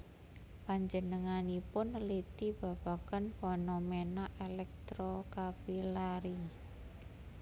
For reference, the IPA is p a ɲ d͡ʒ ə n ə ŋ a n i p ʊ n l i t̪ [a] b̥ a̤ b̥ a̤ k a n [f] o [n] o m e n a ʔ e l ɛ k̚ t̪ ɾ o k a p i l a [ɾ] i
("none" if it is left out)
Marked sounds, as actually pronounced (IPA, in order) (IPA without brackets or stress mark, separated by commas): i, f, n, ɾ